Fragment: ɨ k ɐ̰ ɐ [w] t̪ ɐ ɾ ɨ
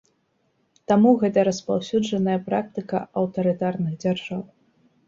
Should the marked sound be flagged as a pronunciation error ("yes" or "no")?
no